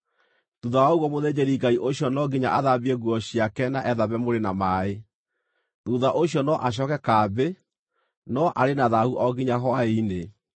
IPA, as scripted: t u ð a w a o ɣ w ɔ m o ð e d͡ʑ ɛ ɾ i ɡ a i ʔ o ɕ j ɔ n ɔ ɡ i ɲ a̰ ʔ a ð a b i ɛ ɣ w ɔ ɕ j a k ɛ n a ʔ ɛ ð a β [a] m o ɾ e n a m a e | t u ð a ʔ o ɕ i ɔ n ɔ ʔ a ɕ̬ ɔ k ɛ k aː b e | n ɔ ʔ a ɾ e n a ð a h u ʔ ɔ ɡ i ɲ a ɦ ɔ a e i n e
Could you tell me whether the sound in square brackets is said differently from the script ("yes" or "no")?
yes